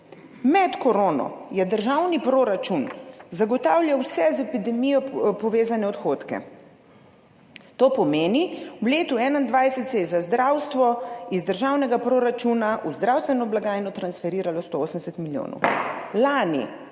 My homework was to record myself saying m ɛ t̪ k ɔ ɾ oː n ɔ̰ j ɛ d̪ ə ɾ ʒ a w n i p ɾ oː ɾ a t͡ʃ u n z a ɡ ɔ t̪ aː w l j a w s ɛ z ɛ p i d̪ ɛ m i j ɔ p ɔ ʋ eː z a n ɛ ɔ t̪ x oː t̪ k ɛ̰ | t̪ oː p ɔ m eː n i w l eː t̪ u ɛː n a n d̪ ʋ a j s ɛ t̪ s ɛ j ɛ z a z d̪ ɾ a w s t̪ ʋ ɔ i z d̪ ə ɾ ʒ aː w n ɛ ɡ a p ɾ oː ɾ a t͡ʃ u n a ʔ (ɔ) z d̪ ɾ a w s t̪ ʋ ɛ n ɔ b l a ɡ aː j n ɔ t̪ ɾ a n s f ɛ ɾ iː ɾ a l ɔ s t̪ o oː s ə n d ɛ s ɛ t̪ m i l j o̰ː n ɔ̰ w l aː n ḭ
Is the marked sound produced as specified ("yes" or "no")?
no